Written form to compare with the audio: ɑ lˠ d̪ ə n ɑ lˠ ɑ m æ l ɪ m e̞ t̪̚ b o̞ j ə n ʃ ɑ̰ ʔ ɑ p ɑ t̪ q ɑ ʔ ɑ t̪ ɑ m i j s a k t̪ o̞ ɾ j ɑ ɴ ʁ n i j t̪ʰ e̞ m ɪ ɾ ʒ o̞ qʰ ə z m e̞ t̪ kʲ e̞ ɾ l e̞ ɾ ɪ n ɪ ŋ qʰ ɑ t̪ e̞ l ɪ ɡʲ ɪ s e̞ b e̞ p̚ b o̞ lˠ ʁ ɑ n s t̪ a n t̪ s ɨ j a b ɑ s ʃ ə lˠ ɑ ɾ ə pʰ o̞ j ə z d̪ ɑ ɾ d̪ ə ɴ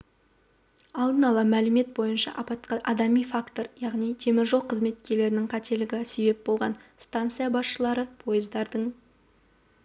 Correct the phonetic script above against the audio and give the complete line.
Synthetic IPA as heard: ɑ lˠ d̪ ə n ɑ lˠ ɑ m æ l ɪ m e̞ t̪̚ b o̞ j ə n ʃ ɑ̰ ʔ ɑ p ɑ t̪ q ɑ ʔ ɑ d̪ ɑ m i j f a k t̪ o̞ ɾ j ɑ ʁ n i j t̪ʰ e̞ m ɪ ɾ ʒ o̞ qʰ ə z m e̞ t̪ kʲ e̞ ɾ l e̞ ɾ ɪ n ɪ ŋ qʰ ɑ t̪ e̞ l ɪ ɡʲ ɪ s e̞ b e̞ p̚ b o̞ lˠ ʁ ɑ n s t̪ a n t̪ s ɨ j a b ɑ s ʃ ə lˠ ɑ ɾ ə pʰ o̞ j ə z d̪ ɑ ɾ d̪ ə ɴ

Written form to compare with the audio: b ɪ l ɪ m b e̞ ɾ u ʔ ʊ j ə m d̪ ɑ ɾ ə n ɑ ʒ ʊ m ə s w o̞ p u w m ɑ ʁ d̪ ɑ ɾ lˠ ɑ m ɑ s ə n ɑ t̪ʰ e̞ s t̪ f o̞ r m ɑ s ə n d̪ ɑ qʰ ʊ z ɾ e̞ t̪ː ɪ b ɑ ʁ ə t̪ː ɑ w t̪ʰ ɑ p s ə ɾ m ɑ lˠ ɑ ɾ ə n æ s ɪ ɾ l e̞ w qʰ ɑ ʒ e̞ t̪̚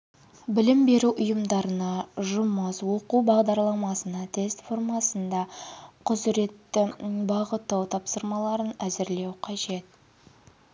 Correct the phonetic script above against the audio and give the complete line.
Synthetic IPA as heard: b ɪ l ɪ m b e̞ ɾ u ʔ ʊ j ə m d̪ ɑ ɾ ə n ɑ ʒ ʊ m ə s w o̞ q u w b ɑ ʁ d̪ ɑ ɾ lˠ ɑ m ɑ s ə n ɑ t̪ʰ e̞ s t̪ f o̞ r m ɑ s ə n d̪ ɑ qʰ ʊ z ɾ e̞ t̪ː ɪ b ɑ ʁ ə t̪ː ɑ w t̪ʰ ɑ p s ə ɾ m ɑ lˠ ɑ ɾ ə n æ z ɪ ɾ l e̞ w qʰ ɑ ʒ e̞ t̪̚

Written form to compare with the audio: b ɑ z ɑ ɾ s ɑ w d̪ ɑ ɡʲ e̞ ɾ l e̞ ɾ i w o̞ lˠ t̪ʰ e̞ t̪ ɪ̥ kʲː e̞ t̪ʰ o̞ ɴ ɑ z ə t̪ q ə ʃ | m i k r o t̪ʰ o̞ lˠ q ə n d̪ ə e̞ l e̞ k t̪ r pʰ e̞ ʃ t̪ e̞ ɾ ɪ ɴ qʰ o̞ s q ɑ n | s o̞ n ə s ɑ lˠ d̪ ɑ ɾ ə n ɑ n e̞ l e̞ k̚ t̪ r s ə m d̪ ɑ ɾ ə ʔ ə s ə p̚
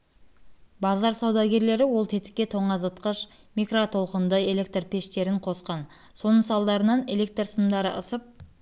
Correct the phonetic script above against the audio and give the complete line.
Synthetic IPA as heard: b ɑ z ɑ ɾ s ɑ w d̪ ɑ ɡʲ e̞ ɾ l e̞ ɾ ɪ w o̞ lˠ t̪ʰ e̞ t̪ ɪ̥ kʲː e̞ t̪ʰ o̞ ɴ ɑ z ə t̪ q ə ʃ | m i k r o t̪ʰ o̞ lˠ q ə n d̪ ə e̞ l e̞ k t̪ r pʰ e̞ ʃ t̪ e̞ ɾ ɪ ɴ qʰ o̞ s q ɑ n | s o̞ n ə s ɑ lˠ d̪ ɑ ɾ ə n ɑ n e̞ l e̞ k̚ t̪ r s ə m d̪ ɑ ɾ ə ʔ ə s ə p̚

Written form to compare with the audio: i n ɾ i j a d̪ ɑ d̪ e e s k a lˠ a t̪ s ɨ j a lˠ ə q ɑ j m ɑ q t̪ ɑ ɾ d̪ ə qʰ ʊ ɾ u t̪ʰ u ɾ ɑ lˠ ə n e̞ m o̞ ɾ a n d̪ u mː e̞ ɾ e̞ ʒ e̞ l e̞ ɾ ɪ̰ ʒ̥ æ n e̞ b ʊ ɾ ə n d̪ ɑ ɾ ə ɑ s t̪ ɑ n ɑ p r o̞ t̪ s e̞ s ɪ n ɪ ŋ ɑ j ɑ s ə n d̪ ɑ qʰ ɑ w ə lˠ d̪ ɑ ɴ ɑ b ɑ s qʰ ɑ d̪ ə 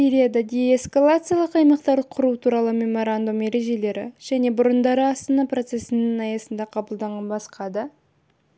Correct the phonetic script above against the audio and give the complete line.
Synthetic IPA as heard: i ɾ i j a d̪ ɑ d̪ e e s k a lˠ a t̪ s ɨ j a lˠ ə q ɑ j m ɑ q t̪ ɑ ɾ d̪ ə qʰ ʊ ɾ u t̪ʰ u ɾ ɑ lˠ ə m e̞ m o̞ ɾ a n d̪ u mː e̞ ɾ e̞ ʒ e̞ l e̞ ɾ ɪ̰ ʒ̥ æ n e̞ b ʊ ɾ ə n d̪ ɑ ɾ ə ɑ s t̪ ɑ n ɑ p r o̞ t̪ s e̞ s ɪ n ɪ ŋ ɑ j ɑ s ə n d̪ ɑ qʰ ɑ b ə lˠ d̪ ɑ ɴ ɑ b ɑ s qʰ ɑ d̪ ə

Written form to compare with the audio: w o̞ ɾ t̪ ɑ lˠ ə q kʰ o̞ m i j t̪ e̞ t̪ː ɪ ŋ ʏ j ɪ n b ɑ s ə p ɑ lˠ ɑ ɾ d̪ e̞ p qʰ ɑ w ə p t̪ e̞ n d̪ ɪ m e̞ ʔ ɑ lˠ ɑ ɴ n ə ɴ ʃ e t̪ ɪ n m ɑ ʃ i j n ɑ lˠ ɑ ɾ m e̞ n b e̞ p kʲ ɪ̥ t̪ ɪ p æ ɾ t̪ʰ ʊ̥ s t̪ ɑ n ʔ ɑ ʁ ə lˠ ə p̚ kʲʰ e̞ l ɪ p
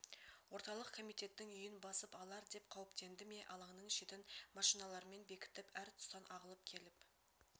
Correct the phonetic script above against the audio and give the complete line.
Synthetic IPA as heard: w o̞ ɾ t̪ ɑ lˠ ə q kʰ o̞ m i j t̪ e̞ t̪ː ɪ ŋ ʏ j ɪ n b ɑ s ə p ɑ lˠ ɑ ɾ d̪ e̞ p qʰ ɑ w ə p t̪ e̞ n d̪ ɪ m e̞ ʔ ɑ lˠ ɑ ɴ n ə ɴ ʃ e t̪ ɪ n m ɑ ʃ i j n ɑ lˠ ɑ ɾ m e̞ n b e̞ kʲ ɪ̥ t̪ ɪ p æ ɾ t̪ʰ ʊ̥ s t̪ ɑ n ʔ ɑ ʁ ə lˠ ə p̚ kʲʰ e̞ l ɪ p

